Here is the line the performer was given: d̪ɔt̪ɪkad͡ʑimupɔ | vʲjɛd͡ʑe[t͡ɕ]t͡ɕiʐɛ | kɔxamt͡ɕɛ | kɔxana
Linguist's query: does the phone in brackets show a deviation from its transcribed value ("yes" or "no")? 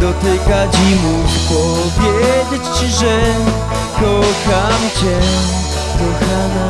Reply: no